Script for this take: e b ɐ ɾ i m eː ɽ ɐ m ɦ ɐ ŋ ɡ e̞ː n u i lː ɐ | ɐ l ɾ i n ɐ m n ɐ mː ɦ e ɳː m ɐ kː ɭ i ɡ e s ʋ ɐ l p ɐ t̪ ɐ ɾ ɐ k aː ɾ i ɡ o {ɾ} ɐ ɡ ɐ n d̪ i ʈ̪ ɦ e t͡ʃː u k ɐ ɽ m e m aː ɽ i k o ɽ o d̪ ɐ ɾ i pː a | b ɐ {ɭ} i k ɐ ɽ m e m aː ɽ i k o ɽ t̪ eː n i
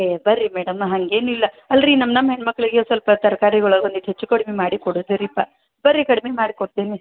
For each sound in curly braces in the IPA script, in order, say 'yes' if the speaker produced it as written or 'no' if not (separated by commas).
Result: no, no